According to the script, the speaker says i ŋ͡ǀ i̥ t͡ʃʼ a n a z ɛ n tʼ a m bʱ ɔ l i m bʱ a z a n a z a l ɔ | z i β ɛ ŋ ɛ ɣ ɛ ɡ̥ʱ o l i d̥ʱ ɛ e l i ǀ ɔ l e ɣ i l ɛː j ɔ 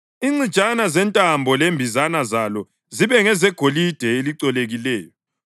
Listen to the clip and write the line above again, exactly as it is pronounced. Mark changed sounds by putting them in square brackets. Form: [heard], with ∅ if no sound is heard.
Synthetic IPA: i ŋ͡ǀ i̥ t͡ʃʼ a n a z ɛ n tʼ a m bʱ ɔ l [e] m bʱ [i] z a n a z a l ɔ | z i β ɛ ŋ ɛ [z] ɛ ɡ̥ʱ o l i d̥ʱ ɛ e l i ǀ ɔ l e ɣ i l ɛː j ɔ